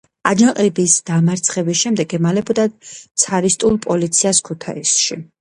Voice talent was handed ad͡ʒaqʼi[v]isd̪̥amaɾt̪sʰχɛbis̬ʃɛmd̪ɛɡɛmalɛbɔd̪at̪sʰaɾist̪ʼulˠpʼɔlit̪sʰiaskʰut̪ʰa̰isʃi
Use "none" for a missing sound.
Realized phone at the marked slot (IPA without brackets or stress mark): b